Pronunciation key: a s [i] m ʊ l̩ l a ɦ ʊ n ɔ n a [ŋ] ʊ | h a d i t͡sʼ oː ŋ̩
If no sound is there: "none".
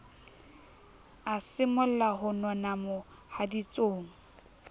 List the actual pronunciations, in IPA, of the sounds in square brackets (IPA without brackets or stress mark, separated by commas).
ɪ, m